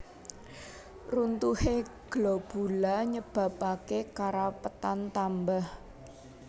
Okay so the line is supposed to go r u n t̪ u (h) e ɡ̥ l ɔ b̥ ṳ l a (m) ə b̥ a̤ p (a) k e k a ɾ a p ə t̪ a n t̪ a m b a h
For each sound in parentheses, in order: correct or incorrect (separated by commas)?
correct, incorrect, correct